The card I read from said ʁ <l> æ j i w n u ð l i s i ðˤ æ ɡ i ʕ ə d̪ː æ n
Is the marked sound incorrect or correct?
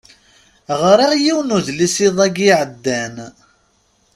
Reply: incorrect: ɾ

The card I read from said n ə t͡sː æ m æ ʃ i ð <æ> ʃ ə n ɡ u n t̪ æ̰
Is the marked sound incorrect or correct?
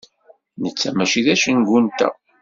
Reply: correct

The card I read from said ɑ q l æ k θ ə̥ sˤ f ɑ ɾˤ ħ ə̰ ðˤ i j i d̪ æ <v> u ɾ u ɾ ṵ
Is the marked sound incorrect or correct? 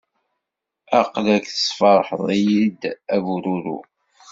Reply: correct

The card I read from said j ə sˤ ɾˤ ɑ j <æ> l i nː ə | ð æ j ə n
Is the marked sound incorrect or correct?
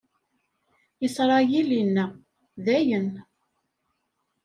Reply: incorrect: i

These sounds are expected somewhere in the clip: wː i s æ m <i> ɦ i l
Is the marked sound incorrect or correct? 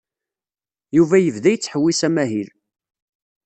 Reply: incorrect: æ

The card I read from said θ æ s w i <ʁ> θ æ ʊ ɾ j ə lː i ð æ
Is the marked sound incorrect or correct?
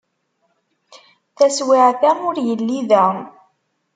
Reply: incorrect: ʕ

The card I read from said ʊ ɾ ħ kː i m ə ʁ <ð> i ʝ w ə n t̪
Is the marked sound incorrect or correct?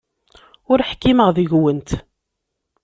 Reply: correct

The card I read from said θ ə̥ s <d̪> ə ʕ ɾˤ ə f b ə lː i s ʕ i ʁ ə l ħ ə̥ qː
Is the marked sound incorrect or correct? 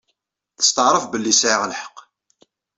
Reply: incorrect: t̪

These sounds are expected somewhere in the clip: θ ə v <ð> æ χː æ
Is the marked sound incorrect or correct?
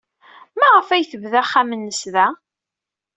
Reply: correct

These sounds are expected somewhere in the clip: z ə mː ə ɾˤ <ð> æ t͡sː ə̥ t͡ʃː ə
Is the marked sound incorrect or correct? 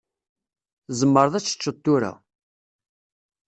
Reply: correct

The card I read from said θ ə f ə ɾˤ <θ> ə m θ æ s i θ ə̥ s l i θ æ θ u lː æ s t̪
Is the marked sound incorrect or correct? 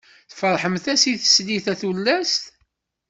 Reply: incorrect: ħ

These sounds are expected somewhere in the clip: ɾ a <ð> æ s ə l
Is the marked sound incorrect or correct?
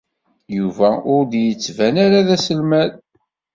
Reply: correct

